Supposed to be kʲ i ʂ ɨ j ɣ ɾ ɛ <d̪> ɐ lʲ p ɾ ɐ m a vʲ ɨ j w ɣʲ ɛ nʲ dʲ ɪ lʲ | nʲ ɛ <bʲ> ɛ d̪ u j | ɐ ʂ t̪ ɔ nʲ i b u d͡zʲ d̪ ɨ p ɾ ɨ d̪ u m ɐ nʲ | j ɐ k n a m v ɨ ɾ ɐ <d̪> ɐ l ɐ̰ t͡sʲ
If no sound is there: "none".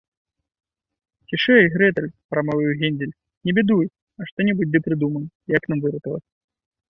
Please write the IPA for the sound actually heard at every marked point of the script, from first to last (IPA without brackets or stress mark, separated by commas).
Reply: t̪, bʲ, t̪